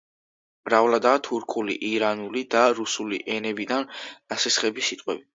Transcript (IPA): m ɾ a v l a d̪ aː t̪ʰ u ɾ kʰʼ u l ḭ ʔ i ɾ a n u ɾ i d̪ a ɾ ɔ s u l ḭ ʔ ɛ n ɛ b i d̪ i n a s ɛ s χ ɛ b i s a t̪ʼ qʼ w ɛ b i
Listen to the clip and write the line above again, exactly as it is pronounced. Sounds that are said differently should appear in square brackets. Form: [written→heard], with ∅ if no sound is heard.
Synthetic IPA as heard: m ɾ a v l a d̪ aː t̪ʰ u ɾ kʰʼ u l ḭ ʔ i ɾ a n u [ɾ→l] i d̪ a ɾ [ɔ→u] s u l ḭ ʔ ɛ n ɛ b i d̪ [i→a] n a s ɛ s χ ɛ b i s [a→i] t̪ʼ qʼ w ɛ b i